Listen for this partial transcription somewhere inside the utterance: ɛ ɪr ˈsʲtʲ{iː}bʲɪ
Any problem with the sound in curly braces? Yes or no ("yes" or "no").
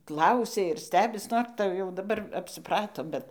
yes